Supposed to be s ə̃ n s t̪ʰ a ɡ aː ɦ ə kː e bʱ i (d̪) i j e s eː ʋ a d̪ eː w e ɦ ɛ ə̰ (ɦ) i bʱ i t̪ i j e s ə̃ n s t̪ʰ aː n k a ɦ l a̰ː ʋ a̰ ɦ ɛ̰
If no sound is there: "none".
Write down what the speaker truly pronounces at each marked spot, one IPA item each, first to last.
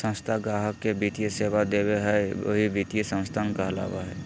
t̪, ɦ

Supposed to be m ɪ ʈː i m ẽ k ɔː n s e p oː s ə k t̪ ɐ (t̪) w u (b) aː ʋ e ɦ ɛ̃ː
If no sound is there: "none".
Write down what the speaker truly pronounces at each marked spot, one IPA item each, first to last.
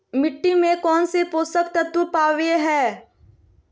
t̪, p

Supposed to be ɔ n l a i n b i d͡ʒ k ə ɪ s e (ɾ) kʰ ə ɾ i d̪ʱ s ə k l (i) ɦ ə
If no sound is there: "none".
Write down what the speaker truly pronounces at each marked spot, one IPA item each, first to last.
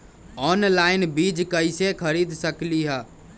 none, i

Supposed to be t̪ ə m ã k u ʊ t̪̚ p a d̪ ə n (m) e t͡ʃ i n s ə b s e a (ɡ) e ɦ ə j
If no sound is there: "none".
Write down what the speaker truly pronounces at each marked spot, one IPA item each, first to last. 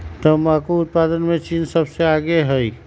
m, ɡ

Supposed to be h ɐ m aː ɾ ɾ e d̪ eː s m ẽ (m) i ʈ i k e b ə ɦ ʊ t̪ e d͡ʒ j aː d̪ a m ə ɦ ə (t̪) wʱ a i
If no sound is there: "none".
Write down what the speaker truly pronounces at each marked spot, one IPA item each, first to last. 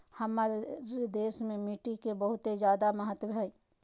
m, t̪

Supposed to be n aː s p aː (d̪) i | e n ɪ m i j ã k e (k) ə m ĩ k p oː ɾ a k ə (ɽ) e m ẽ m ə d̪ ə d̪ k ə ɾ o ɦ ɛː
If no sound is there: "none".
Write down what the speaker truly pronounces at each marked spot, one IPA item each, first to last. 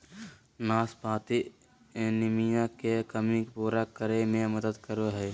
t̪, k, ɾ

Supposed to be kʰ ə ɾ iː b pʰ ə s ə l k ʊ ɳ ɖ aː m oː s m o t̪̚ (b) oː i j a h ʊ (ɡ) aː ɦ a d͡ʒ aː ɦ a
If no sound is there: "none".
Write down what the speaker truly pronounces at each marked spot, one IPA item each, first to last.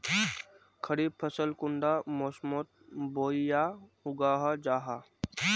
b, ɡ

